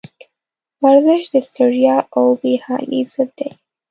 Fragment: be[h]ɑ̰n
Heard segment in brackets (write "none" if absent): h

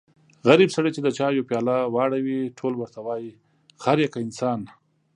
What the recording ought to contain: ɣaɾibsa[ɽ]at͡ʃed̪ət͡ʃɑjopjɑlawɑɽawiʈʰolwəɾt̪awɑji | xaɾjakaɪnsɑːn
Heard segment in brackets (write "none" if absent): ɽ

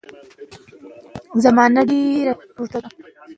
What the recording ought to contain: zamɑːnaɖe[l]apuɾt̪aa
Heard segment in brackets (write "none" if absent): ɾ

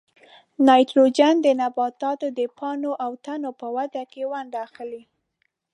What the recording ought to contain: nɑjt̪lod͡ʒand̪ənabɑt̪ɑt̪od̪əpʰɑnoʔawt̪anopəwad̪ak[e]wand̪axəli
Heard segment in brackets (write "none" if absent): e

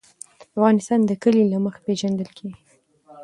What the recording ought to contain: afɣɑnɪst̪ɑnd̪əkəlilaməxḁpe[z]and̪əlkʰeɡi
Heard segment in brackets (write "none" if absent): ʒ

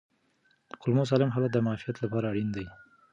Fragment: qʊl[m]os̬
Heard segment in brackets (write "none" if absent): m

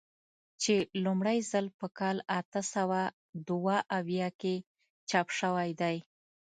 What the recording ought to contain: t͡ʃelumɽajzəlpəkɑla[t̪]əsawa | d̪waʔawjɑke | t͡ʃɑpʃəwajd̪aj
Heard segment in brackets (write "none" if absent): t̪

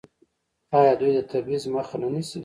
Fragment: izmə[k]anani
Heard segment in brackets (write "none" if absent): x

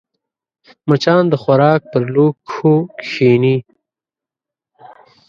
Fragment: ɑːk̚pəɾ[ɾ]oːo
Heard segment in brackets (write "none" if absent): l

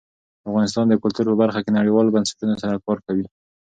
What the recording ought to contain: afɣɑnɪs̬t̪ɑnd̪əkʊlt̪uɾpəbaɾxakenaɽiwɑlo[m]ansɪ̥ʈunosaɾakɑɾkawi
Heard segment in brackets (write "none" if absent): b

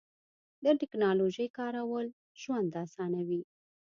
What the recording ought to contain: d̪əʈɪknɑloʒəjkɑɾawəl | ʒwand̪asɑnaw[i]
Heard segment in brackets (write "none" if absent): i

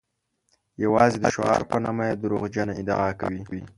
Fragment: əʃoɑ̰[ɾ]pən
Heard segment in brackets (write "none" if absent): ɾ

